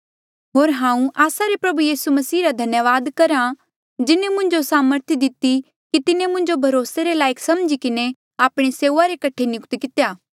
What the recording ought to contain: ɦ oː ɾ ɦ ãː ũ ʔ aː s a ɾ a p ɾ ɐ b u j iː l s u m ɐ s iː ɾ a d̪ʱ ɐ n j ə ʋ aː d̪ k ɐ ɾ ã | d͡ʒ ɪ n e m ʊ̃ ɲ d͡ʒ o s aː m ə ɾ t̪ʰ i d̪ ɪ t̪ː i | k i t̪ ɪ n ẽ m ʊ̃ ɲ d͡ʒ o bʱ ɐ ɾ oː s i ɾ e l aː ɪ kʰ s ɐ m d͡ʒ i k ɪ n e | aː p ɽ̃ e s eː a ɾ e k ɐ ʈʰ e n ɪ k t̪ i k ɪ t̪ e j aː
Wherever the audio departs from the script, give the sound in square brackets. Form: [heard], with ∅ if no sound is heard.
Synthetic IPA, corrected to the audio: ɦ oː ɾ ɦ ãː ũ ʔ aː s a ɾ [e] p ɾ ɐ b u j iː [∅] s u m ɐ s iː ɾ a d̪ʱ ɐ n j ə ʋ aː d̪ k ɐ ɾ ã | d͡ʒ ɪ n e m ʊ̃ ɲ d͡ʒ o s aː m ə ɾ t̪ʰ i d̪ ɪ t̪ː i | k i t̪ ɪ n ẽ m ʊ̃ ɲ d͡ʒ o bʱ ɐ ɾ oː s [e] ɾ e l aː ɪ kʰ s ɐ m d͡ʒ i k ɪ n e | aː p ɽ̃ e s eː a ɾ e k ɐ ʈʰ e n ɪ k t̪ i k ɪ t̪ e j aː